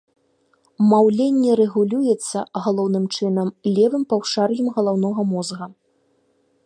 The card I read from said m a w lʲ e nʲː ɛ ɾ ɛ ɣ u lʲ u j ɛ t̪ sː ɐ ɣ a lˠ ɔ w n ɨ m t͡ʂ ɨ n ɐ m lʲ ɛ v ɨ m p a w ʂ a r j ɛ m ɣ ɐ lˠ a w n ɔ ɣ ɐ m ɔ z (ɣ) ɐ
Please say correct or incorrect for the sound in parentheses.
correct